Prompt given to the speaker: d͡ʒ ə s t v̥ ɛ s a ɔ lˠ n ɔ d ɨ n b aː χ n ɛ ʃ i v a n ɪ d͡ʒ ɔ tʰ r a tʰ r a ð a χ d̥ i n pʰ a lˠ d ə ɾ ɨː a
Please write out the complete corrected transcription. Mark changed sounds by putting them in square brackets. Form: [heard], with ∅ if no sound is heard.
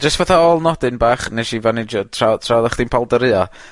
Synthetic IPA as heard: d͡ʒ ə s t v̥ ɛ [θ] a ɔ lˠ n ɔ d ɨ n b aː χ n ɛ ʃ i v a n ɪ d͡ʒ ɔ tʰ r a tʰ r a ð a χ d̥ i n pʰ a lˠ d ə ɾ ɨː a